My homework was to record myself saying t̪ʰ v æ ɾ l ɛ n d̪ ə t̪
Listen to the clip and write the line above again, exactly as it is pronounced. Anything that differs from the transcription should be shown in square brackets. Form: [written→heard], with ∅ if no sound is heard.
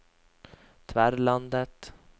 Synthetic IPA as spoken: t̪ʰ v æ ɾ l [ɛ→a] n d̪ ə t̪